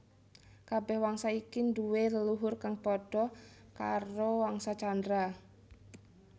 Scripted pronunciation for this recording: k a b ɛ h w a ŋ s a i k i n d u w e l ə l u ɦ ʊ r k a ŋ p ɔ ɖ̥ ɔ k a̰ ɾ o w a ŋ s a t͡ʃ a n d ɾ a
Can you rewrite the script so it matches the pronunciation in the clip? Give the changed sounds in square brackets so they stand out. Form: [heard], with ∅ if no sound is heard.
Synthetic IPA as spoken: k a b ɛ h w a ŋ s a i k i n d u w e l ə l u ɦ ʊ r k a ŋ p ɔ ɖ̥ ɔ k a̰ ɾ o w a ŋ s a t͡ʃ a n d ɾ a